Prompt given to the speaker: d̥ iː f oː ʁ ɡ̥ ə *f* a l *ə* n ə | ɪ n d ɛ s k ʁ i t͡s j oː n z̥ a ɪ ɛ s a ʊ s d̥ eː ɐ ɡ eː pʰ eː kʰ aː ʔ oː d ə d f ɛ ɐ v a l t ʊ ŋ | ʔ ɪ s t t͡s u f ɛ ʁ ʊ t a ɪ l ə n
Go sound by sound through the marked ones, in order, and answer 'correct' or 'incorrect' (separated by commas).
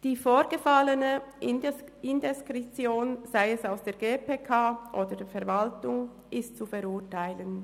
correct, correct